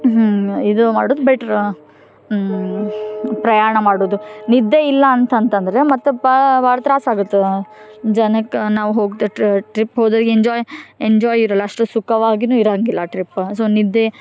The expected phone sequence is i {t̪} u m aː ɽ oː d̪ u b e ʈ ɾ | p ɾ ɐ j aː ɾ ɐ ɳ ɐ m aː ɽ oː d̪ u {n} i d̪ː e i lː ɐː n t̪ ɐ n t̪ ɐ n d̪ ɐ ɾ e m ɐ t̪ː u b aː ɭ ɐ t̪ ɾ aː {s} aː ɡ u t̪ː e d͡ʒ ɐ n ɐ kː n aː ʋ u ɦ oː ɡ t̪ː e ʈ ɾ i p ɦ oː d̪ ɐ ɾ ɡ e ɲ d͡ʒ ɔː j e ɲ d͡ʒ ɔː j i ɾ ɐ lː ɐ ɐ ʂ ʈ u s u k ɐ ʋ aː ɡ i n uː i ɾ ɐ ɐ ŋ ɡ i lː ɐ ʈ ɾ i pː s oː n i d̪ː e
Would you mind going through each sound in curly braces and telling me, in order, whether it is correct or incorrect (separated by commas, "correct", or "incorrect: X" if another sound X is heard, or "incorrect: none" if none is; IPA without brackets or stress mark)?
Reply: incorrect: d̪, correct, correct